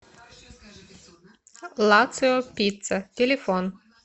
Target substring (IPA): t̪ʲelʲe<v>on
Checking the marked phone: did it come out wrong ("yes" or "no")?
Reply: yes